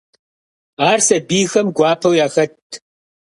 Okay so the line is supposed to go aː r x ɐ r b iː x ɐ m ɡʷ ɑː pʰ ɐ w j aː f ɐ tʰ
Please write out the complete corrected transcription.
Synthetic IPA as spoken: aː r s ɐ b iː x ɐ m ɡʷ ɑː pʰ ɐ w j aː x ɐ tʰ